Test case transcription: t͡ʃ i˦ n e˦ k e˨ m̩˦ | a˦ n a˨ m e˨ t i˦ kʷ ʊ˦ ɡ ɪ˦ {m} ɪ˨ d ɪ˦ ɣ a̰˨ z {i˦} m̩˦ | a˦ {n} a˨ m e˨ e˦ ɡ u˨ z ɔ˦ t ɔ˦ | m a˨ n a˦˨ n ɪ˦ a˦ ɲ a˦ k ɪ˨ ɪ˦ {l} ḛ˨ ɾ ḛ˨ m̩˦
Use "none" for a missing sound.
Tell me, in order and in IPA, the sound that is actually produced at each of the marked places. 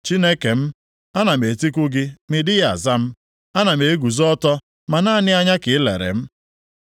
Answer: m, a˦, n, l

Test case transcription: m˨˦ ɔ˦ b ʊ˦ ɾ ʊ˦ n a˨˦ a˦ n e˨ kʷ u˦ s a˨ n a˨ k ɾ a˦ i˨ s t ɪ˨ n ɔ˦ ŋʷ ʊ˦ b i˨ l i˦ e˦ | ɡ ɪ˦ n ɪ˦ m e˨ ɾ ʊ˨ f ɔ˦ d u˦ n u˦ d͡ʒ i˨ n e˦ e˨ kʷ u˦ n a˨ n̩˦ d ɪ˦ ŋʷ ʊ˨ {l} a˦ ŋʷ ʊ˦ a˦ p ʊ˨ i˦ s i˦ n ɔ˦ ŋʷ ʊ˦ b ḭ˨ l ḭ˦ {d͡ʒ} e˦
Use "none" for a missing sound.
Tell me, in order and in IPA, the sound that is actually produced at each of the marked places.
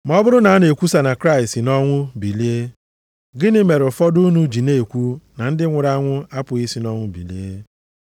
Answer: ɾ, none

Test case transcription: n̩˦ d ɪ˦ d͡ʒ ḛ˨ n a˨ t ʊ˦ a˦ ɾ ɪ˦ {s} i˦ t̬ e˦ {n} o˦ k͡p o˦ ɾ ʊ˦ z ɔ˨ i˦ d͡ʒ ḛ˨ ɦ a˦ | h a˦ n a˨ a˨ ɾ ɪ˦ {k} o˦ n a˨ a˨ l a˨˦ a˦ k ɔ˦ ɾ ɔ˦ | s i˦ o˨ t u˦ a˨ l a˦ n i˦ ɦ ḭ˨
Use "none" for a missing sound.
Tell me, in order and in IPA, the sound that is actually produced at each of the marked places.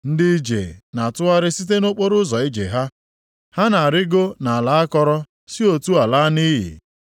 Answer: s, n, ɡ

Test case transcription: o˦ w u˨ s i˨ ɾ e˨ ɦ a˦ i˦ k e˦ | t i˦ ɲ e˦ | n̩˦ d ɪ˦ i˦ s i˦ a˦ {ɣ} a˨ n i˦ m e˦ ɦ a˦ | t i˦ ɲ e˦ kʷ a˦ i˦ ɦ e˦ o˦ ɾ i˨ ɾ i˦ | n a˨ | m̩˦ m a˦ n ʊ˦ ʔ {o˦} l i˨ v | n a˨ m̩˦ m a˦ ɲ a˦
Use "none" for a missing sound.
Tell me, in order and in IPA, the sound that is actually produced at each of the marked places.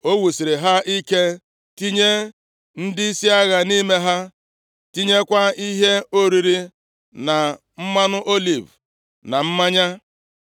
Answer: ɣ, o˦

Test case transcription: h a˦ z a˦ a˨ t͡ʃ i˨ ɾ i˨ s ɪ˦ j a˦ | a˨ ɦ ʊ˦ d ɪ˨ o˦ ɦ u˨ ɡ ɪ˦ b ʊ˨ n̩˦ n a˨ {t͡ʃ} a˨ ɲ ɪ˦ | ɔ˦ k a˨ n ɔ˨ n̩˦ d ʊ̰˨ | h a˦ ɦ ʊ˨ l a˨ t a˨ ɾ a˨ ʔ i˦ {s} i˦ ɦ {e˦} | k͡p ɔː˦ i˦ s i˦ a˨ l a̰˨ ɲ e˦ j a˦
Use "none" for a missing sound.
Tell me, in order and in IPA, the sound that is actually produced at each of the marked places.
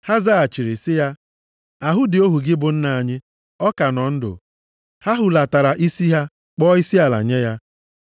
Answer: none, s, a˦

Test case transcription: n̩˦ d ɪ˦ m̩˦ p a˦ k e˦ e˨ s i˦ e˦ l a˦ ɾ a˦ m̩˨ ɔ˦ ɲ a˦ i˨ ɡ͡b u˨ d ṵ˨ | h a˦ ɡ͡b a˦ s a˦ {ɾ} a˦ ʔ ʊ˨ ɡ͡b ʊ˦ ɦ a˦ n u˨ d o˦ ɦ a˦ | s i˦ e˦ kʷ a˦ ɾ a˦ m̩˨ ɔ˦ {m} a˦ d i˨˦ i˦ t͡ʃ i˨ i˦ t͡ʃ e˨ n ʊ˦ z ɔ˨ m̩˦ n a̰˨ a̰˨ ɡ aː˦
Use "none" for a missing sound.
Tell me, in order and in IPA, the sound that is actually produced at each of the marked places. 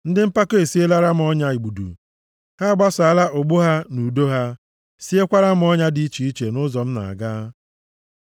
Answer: l, ɲ

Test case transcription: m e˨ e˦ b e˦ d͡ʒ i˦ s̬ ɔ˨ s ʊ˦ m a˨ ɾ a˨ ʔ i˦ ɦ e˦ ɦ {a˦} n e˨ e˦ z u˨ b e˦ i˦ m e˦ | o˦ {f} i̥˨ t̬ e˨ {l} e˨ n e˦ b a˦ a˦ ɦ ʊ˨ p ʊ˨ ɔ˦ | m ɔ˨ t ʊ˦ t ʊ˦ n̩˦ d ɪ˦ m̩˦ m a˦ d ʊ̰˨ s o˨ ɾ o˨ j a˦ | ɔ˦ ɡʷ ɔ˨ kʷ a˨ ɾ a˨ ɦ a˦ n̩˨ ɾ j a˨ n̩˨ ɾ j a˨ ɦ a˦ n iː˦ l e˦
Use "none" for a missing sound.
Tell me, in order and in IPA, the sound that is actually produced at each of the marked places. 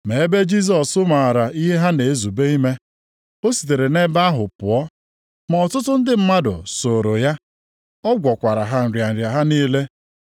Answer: a˦, s, ɾ

